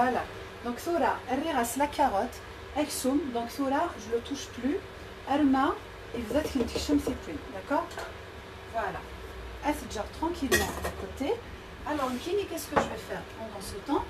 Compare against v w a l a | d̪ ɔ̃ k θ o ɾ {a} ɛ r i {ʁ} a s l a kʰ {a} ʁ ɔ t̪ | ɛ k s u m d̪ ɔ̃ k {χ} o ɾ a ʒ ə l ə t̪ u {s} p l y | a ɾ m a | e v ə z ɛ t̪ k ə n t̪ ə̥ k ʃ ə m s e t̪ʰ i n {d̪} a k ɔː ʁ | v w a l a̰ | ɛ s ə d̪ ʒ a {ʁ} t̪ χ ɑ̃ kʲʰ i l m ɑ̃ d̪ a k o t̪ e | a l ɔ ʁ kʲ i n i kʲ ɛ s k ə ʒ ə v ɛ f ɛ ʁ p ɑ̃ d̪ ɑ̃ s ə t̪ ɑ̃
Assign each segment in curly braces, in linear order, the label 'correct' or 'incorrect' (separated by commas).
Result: correct, correct, correct, incorrect, incorrect, correct, correct